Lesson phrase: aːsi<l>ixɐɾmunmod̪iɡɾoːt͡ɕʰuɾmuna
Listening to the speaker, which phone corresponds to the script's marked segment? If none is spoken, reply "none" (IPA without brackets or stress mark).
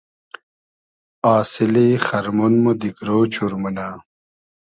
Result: l